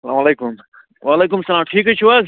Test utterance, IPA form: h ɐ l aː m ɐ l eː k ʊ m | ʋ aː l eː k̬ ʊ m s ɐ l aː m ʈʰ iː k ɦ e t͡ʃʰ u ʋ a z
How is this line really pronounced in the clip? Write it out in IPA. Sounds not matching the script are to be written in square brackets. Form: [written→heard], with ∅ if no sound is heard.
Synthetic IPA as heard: [h→s] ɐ l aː m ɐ l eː k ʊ m | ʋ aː l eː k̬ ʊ m s ɐ l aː m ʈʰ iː k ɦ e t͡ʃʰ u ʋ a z